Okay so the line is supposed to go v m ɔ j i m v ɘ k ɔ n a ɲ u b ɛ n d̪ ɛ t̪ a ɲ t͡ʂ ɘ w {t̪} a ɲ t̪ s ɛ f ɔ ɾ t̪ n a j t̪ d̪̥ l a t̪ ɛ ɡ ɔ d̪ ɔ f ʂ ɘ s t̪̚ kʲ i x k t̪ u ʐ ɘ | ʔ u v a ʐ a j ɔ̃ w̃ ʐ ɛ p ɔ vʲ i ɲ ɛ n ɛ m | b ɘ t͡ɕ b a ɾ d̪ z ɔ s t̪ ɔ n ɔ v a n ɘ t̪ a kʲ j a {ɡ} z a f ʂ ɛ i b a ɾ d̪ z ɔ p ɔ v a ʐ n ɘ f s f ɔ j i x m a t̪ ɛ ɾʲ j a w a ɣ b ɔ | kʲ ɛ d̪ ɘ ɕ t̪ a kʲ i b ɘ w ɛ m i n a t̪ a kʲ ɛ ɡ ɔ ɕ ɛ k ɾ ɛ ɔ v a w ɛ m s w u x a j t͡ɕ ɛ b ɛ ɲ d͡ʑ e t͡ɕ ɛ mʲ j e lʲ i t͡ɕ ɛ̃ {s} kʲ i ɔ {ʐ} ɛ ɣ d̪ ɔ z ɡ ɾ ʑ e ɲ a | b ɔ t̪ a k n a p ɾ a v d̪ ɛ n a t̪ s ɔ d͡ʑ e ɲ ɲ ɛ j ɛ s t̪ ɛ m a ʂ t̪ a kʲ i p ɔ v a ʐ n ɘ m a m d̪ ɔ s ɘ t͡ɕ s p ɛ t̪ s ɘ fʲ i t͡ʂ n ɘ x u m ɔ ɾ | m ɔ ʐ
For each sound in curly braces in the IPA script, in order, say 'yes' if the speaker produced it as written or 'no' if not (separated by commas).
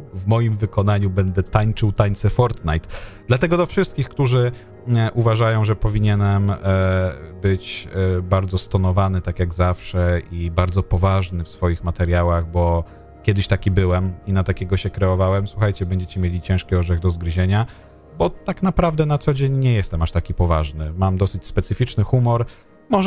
yes, yes, no, yes